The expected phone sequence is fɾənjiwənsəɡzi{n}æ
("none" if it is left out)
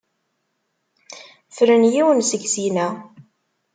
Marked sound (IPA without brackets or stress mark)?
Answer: n